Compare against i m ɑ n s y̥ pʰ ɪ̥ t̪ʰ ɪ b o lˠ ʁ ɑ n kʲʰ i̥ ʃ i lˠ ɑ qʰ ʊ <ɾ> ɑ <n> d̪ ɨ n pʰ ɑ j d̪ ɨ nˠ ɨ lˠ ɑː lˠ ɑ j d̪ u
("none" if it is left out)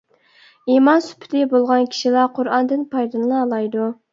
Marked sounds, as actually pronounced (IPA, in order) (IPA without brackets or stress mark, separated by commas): ɾ, n